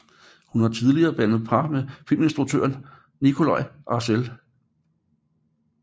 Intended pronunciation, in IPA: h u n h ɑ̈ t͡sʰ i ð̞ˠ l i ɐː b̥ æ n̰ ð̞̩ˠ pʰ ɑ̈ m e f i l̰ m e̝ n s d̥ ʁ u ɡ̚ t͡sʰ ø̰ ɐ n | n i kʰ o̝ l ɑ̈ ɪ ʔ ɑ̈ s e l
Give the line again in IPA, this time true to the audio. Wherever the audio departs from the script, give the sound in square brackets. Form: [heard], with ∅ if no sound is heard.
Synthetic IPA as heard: h u n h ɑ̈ t͡sʰ i ð̞ˠ l i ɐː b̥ æ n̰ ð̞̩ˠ pʰ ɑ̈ m e f i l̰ m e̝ n s d̥ ʁ u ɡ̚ t͡sʰ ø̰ ɐ n | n i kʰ o̝ l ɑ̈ ɪ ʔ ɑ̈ s e l